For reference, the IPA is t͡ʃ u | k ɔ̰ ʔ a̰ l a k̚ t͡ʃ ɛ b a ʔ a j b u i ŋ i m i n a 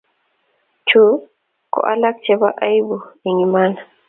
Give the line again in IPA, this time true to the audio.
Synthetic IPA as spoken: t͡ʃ u | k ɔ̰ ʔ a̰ l a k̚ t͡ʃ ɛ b a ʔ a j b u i ŋ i m a n a